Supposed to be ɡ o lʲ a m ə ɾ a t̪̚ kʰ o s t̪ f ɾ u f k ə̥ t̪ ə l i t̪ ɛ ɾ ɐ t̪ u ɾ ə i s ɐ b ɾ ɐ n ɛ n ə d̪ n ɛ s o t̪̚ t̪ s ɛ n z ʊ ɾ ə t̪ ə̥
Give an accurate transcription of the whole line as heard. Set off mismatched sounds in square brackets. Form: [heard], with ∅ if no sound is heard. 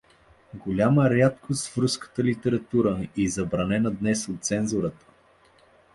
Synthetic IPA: ɡ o lʲ a m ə ɾ a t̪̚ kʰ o s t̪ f ɾ u [s] k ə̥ t̪ ə l i t̪ ɛ ɾ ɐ t̪ u ɾ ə i [z] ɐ b ɾ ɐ n ɛ n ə d̪ n ɛ s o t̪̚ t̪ s ɛ n z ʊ ɾ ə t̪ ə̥